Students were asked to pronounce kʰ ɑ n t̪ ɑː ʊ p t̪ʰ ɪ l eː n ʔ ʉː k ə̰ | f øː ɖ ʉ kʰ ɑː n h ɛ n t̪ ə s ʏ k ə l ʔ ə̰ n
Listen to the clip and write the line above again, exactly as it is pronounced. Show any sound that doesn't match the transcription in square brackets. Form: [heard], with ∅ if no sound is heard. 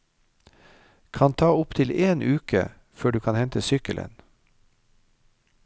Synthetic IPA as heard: kʰ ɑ n [t̪ʰ] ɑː ʊ p t̪ʰ ɪ l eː n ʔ ʉː k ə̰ | f øː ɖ [ʉː] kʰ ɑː n h ɛ n t̪ ə s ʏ k ə l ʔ ə̰ n